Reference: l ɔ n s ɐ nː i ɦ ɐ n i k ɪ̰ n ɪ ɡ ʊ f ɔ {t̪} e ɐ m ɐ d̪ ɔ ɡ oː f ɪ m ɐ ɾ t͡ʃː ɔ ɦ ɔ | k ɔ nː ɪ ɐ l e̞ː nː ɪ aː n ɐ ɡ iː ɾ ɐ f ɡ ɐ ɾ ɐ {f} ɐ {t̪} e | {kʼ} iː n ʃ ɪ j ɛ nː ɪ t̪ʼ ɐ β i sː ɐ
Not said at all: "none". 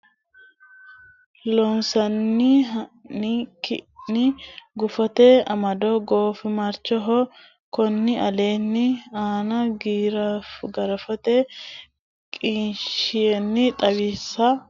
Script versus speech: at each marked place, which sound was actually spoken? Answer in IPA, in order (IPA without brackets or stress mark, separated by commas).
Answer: t̪, f, t̪, kʼ